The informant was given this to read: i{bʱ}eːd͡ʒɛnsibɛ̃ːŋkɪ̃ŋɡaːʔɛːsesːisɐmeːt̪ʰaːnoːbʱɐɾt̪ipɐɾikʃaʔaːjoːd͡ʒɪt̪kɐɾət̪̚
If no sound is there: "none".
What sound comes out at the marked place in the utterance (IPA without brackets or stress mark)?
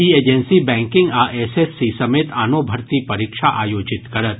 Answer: none